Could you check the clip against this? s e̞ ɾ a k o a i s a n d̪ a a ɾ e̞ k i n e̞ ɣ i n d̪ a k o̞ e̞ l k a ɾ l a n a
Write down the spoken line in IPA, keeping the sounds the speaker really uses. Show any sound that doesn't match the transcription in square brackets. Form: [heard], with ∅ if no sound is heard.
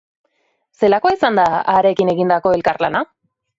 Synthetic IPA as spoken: s e̞ [l] a k o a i s a n d̪ a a ɾ e̞ k i n e̞ ɣ i n d̪ a k o̞ e̞ l k a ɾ l a n a

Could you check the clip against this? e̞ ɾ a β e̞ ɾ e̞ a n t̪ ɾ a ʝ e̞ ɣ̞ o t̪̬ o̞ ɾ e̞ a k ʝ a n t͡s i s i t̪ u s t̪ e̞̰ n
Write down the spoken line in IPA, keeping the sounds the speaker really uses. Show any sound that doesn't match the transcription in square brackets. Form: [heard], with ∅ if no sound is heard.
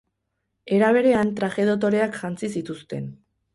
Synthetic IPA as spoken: e̞ ɾ a β e̞ ɾ e̞ a n t̪ ɾ a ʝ e̞ [ð̞] o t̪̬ o̞ ɾ e̞ a k ʝ a n t͡s i s i t̪ u s t̪ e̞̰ n

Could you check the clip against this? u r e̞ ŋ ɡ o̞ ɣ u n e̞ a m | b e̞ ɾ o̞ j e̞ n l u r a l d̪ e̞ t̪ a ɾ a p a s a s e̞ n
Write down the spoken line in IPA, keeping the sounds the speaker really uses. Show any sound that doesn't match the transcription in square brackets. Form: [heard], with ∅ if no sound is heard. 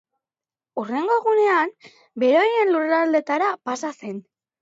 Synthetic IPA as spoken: u r e̞ ŋ ɡ o̞ ɣ u n e̞ a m | b e̞ ɾ o̞ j e̞ n l u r a l d̪ e̞ t̪ a ɾ a p a s a s e̞ n

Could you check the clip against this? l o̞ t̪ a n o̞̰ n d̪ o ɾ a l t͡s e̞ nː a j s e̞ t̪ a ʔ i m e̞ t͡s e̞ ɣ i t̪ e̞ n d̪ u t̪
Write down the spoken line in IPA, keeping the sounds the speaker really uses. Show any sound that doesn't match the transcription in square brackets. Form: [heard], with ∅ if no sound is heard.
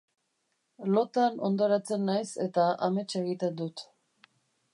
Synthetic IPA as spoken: l o̞ t̪ a n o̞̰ n d̪ o ɾ a [∅] t͡s e̞ nː a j s e̞ t̪ a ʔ [a] m e̞ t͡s e̞ ɣ i t̪ e̞ n d̪ u t̪

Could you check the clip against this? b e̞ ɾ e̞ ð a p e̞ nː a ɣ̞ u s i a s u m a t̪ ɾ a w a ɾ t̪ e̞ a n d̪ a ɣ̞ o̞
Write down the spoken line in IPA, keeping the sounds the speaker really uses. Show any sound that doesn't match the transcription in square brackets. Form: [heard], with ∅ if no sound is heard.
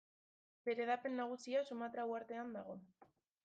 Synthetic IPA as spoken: b e̞ ɾ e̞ ð a p e̞ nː a ɣ̞ u s i a s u m a t̪ ɾ a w a ɾ t̪ e̞ a n d̪ a ɣ̞ o̞

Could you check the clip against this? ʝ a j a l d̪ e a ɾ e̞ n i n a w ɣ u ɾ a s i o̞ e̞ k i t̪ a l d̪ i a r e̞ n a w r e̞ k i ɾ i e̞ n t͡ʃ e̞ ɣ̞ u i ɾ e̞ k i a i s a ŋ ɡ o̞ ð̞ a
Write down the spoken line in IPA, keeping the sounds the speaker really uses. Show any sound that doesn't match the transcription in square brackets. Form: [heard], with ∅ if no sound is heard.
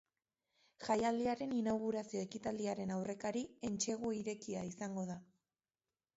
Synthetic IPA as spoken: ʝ a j a l d̪ [i] a ɾ e̞ n i n a w ɣ u ɾ a s i o̞ e̞ k i t̪ a l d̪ i a [ɾ] e̞ n a w r e̞ k [a] ɾ i e̞ n t͡ʃ e̞ ɣ̞ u i ɾ e̞ k i a i s a ŋ ɡ o̞ ð̞ a

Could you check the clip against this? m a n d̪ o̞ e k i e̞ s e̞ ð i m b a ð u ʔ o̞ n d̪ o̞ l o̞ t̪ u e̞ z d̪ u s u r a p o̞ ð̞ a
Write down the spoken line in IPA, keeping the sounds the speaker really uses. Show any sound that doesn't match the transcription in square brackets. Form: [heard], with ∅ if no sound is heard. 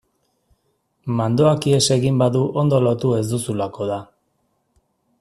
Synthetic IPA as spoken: m a n d̪ o̞ [a] k i e̞ s e̞ [ɣ] i m b a ð u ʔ o̞ n d̪ o̞ l o̞ t̪ u e̞ z d̪ u s u [l] a [k] o̞ ð̞ a

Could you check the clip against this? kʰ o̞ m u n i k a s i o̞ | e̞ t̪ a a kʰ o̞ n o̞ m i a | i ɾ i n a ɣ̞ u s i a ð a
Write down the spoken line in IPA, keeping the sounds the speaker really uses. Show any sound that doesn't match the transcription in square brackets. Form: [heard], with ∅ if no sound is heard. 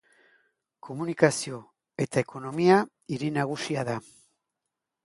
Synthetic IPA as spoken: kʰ o̞ m u n i k a s i o̞ | e̞ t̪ a [e] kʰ o̞ n o̞ m i a | i ɾ i n a ɣ̞ u s i a ð a

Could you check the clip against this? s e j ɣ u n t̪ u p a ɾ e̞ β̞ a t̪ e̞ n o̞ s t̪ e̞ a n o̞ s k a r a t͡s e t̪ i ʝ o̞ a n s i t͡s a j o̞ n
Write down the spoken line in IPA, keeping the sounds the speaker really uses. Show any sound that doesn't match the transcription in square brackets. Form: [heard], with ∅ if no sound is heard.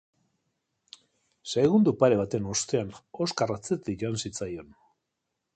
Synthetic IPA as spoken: s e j ɣ u n [d̪] u p a ɾ e̞ β̞ a t̪ e̞ n o̞ s t̪ e̞ a n o̞ s k a r a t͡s e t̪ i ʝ o̞ a n s i t͡s a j o̞ n

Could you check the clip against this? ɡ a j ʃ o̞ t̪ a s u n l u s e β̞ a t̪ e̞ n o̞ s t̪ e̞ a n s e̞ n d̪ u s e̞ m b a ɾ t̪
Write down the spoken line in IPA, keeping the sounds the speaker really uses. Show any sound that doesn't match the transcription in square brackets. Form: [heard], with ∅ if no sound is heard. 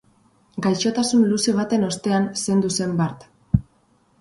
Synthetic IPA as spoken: ɡ a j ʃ o̞ t̪ a s u n l u s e β̞ a t̪ e̞ n o̞ s t̪ e̞ a n s e̞ n d̪ u s e̞ m b a ɾ t̪

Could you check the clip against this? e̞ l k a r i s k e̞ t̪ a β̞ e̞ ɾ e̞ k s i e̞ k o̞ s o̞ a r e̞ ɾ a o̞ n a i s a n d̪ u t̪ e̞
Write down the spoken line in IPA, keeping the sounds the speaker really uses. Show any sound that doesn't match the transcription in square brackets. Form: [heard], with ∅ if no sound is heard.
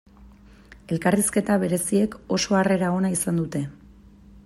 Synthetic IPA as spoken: e̞ l k a r i s k e̞ t̪ a β̞ e̞ ɾ e̞ [∅] s i e̞ k o̞ s o̞ a r e̞ ɾ a o̞ n a i s a n d̪ u t̪ e̞

